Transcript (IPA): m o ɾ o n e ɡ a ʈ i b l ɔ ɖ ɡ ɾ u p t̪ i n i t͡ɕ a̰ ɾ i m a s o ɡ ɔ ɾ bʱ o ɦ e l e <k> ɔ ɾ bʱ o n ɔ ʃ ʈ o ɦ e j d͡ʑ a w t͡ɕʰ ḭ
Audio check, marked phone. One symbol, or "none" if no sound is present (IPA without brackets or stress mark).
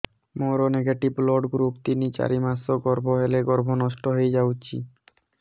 ɡ